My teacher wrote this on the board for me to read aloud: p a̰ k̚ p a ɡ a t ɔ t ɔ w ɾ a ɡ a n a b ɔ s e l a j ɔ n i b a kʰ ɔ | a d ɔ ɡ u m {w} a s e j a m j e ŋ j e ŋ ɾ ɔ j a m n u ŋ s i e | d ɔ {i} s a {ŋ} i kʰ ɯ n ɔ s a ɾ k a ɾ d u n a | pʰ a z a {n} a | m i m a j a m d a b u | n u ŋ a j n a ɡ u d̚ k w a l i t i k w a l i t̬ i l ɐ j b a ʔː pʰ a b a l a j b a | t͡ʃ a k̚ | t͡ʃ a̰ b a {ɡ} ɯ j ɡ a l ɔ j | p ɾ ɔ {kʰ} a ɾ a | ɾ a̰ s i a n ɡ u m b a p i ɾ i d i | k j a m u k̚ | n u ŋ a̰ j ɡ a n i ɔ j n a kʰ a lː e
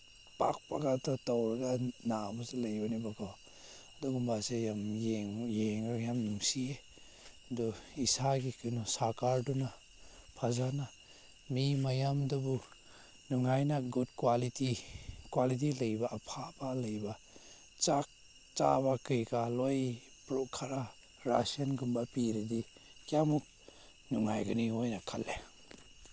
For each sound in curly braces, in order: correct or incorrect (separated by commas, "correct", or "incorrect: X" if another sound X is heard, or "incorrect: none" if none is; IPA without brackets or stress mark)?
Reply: incorrect: b, correct, incorrect: ɡ, correct, incorrect: k, correct